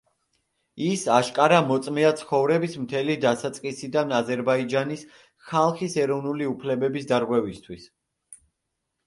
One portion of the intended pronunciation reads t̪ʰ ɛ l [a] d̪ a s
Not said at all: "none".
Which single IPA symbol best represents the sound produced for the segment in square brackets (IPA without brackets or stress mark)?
i